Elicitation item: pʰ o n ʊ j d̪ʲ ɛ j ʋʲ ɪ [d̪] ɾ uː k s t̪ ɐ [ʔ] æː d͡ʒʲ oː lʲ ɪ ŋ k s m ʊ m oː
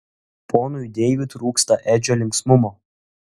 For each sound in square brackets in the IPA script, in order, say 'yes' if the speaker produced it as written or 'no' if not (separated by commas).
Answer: no, yes